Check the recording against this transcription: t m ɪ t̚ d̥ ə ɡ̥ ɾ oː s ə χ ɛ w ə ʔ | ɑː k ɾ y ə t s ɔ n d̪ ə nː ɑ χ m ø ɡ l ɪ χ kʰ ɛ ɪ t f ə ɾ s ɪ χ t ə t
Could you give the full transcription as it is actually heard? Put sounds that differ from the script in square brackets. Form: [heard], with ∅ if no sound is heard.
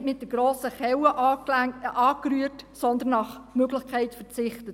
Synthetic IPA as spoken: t m ɪ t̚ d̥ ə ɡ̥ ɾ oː s ə χ ɛ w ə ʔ | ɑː k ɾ y ə t s ɔ n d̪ ə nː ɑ χ m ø ɡ l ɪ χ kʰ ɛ ɪ t f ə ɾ [t͡s] ɪ χ t ə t